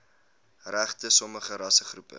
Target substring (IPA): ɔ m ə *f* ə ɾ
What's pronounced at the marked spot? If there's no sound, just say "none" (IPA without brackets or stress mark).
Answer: χ